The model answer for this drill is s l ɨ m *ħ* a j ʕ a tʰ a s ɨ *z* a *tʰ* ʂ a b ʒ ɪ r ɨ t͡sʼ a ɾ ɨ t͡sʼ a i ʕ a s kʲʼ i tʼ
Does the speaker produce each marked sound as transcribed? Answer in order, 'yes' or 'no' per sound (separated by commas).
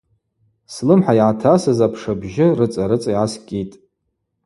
yes, yes, no